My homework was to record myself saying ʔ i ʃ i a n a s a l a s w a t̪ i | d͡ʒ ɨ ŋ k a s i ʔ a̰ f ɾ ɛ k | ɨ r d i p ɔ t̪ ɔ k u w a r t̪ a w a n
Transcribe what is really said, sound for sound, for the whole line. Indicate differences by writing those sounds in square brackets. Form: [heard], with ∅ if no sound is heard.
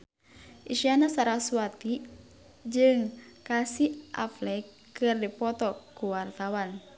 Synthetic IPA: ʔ i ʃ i a n a s a [ɾ] a s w a t̪ i | d͡ʒ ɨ ŋ k a s i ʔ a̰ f [l] ɛ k | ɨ r d i p ɔ t̪ ɔ k u w a r t̪ a w a n